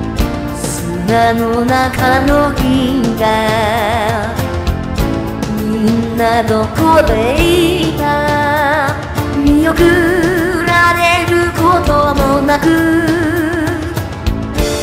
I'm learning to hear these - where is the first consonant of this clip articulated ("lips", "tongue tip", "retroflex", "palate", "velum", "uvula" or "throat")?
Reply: tongue tip